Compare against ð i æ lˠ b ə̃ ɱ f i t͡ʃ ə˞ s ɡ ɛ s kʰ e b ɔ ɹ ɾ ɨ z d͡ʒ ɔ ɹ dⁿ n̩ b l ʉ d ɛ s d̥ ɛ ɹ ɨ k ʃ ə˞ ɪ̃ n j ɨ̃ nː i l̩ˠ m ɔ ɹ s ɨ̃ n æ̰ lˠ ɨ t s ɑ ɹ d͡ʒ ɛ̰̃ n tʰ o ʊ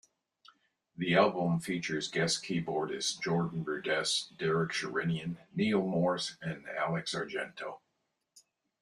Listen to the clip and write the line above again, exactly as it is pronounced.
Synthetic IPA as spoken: ð i æ lˠ b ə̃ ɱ f i t͡ʃ ə˞ z ɡ ɛ s kʰ i b ɔ ɹ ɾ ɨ z d͡ʒ ɔ ɹ dⁿ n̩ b ɹ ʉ d ɛ s d̥ ɛ ɹ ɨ k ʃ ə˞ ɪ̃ n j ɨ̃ nː i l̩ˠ m ɔ ɹ s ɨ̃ n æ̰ lˠ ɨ k s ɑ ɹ d͡ʒ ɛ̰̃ n tʰ o ʊ

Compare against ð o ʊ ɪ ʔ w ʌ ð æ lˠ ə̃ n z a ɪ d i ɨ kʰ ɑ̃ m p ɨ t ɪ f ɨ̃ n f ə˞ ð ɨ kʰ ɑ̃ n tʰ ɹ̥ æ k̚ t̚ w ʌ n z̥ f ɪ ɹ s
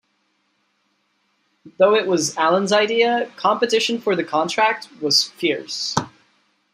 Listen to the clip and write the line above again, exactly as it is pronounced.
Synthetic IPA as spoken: ð o ʊ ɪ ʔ w ʌ z æ lˠ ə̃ n z a ɪ d i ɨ kʰ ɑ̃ m p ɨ t ɪ ʃ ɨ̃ n f ə˞ ð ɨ kʰ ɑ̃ n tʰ ɹ̥ æ k̚ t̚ w ʌ z̥ f ɪ ɹ s

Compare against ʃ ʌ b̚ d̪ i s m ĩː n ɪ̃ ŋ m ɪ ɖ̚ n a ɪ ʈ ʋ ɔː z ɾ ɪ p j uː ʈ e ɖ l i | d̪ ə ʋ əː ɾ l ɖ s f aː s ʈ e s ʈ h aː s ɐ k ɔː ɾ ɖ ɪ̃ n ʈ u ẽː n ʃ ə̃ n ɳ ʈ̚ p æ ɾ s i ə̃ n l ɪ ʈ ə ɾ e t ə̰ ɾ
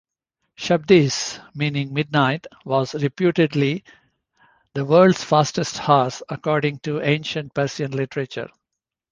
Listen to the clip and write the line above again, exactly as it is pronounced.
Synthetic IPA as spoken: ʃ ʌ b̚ d̪ i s m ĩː n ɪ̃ ŋ m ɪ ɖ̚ n a ɪ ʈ ʋ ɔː z ɾ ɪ p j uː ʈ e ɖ l i | d̪ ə ʋ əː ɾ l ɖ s f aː s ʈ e s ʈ h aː s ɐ k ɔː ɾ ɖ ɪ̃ ŋ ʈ u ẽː n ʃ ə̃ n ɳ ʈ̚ p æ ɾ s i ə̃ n l ɪ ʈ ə ɾ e t͡ʃ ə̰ ɾ

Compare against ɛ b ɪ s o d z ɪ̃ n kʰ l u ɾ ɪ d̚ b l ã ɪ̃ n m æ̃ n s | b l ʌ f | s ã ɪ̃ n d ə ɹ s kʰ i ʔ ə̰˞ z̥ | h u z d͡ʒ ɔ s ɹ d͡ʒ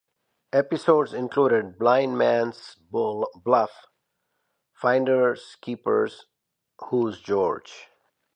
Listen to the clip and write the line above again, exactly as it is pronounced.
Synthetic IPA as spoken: ɛ p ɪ s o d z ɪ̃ n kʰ l u ɾ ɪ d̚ b l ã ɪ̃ n m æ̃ n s | b l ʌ f | f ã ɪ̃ n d ə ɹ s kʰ i p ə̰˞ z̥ | h u z d͡ʒ ɔ ɹ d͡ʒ

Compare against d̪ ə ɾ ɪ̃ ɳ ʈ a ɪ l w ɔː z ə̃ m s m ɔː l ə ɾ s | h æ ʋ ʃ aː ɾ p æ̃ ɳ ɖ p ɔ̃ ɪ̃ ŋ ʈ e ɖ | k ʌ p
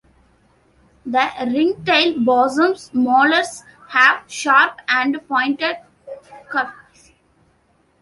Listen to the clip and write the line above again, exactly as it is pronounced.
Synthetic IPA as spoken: d̪ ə ɾ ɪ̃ ŋ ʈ e ɪ l b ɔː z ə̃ m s m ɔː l ə ɾ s | h æ ʋ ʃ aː ɾ p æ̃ ɳ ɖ p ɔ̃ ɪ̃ ɳ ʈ e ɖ | k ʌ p

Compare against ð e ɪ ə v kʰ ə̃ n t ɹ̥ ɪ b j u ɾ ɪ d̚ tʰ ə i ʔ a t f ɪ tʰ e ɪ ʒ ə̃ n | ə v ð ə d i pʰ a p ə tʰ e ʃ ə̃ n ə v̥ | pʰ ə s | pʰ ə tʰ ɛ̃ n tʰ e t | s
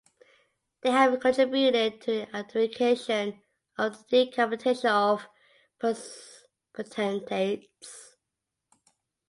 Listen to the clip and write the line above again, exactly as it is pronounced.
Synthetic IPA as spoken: ð e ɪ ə v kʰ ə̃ n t ɹ̥ ɪ b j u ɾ ɪ d̚ tʰ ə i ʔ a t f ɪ kʰ e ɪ ʃ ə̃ n | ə v ð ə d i kʰ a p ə tʰ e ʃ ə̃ n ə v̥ | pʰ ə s | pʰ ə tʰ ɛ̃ n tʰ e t | s

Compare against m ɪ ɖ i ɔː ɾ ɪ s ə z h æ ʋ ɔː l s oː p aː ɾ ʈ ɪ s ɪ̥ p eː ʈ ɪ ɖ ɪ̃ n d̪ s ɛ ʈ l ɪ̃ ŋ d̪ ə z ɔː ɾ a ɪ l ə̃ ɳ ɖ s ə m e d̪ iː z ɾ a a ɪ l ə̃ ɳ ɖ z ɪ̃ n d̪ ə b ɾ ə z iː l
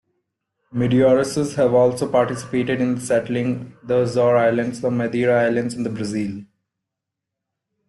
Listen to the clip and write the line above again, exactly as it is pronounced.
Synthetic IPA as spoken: m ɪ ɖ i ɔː ɾ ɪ s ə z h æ ʋ ɔː l s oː p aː ɾ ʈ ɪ s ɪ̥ p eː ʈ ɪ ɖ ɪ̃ n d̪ s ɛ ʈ l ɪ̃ ŋ d̪ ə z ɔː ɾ a ɪ l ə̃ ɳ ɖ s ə m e d̪ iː ɾ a a ɪ l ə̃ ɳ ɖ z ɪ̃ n d̪ ə b ɾ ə z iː l

